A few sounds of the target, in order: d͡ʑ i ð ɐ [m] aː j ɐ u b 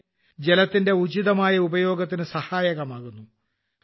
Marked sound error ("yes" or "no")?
no